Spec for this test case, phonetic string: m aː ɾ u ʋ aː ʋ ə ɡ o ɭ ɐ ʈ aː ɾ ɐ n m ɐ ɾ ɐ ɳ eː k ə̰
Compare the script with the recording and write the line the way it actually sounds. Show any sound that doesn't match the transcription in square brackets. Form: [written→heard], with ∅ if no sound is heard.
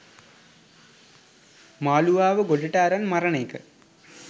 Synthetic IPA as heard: m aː [ɾ→l] u ʋ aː ʋ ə ɡ o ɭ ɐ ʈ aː ɾ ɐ n m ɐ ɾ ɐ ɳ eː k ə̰